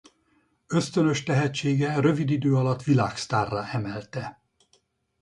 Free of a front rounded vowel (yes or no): no